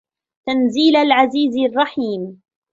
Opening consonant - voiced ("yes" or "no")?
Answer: no